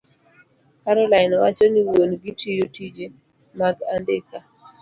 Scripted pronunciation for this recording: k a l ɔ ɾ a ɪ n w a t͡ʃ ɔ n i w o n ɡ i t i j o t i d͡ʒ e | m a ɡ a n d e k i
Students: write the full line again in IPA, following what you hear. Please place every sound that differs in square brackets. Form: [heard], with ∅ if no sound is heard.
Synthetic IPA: k a [ɾ] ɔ [l] a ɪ n w a t͡ʃ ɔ n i w o n ɡ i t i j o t i d͡ʒ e | m a ɡ a n d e k [a]